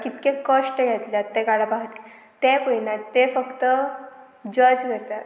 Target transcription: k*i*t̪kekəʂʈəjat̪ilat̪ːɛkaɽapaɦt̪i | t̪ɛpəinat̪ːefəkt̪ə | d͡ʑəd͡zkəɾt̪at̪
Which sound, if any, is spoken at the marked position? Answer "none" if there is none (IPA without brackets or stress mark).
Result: i